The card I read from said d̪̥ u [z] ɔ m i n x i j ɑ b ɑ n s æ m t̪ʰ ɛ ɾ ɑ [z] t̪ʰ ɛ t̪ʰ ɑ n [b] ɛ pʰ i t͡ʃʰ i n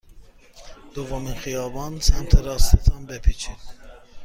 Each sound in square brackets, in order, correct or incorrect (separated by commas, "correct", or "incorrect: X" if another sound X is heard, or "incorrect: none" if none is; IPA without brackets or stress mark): incorrect: v, incorrect: s, correct